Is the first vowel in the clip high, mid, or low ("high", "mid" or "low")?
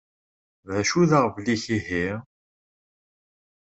low